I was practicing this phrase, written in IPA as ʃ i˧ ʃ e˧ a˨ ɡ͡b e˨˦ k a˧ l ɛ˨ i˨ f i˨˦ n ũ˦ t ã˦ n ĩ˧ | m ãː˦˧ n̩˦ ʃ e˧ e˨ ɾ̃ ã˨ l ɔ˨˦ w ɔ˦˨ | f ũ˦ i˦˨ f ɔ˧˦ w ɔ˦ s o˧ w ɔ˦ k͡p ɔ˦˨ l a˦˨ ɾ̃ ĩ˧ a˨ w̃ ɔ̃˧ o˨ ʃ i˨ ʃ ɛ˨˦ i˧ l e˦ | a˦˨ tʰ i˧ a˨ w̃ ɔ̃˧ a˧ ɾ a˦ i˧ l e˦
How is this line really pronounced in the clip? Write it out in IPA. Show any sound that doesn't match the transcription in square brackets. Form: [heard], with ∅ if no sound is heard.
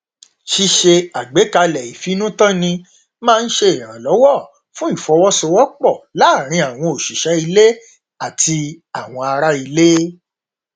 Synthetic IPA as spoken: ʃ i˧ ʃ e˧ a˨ ɡ͡b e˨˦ k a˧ l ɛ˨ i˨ f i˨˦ n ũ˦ t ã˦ n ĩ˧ | m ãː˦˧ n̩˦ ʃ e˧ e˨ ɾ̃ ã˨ l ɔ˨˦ w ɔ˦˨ | f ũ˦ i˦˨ f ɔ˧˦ w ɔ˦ s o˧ w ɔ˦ k͡p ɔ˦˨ l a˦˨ ɾ̃ ĩ˧ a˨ w̃ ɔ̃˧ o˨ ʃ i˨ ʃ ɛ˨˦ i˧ l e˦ | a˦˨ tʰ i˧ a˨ w̃ ɔ̃˧ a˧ ɾ a˦ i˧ l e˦

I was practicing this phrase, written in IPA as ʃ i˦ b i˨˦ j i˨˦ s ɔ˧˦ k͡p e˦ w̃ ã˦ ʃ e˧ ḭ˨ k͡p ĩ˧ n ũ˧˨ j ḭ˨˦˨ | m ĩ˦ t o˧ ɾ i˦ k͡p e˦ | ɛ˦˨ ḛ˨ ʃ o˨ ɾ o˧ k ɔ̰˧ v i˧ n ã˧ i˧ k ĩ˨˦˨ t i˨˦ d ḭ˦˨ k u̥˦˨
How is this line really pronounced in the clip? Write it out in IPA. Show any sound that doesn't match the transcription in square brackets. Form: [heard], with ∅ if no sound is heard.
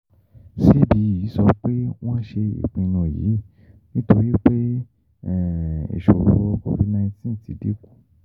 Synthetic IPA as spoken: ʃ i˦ b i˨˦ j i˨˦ s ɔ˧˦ k͡p e˦ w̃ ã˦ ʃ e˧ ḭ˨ k͡p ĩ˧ n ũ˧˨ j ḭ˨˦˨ | [n] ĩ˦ t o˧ ɾ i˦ k͡p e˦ | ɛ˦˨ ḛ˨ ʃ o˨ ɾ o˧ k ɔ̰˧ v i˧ n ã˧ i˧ [t] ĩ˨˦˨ t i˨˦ d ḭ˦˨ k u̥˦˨

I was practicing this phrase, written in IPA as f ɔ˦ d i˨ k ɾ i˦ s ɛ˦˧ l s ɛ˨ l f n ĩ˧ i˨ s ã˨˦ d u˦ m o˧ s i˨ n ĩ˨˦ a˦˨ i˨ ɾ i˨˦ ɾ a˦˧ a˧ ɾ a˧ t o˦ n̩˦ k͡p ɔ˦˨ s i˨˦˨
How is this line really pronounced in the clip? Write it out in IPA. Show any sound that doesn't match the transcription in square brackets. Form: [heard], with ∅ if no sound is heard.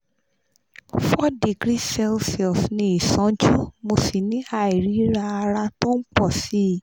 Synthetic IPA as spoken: f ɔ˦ d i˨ [ɡ] ɾ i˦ s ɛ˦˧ l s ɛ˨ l f n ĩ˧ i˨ s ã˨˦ [d͡ʒ] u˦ m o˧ s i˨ n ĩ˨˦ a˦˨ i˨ ɾ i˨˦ ɾ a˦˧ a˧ ɾ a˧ t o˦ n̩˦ k͡p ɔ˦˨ s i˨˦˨

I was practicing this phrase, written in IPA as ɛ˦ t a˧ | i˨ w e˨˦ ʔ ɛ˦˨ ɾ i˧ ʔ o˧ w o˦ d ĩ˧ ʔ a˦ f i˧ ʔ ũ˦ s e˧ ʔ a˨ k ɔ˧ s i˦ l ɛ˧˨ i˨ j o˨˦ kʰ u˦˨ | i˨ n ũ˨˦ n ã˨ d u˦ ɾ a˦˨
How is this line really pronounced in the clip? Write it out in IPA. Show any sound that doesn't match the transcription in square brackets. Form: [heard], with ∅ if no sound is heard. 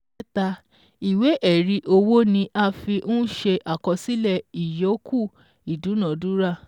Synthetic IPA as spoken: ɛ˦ t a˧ | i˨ w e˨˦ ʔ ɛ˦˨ ɾ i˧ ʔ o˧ w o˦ [n] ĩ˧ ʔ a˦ f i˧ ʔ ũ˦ [ʃ] e˧ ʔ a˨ k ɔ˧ s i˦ l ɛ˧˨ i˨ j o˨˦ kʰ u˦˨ | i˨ [d] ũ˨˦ n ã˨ d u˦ ɾ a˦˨

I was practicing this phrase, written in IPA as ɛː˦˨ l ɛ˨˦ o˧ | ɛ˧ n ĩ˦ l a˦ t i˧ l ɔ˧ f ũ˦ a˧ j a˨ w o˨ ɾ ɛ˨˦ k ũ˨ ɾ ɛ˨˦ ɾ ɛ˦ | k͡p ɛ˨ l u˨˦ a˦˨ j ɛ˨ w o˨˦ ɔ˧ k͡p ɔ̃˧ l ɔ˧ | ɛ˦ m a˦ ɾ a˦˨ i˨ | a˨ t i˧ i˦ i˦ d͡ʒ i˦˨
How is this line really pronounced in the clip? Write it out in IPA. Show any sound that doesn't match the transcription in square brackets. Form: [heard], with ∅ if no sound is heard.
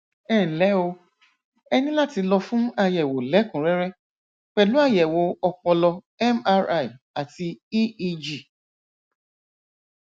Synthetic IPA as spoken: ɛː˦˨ l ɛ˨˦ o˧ | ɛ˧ n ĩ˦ l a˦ t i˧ l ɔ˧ f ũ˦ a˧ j [ɛ˨] w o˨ [l] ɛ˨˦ k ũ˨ ɾ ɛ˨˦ ɾ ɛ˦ | k͡p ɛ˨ l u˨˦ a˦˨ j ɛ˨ w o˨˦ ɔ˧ k͡p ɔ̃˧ l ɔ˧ | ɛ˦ m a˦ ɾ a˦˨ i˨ | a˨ t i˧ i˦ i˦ d͡ʒ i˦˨

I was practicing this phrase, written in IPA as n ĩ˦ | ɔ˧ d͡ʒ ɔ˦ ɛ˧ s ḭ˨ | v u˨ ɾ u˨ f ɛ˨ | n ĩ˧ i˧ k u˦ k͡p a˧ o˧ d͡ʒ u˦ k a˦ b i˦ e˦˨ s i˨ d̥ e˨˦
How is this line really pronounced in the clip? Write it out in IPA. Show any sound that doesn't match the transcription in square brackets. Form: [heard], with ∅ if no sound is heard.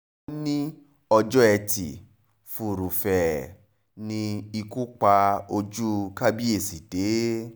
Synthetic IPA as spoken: n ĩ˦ | ɔ˧ d͡ʒ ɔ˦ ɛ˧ [t] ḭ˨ | [f] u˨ ɾ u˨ f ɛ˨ | n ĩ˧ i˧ k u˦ k͡p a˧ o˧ d͡ʒ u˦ k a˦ b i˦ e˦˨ s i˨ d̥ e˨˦

